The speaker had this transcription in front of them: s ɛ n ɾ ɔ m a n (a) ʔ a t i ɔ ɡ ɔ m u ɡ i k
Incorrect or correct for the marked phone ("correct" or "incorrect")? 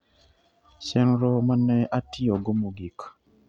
incorrect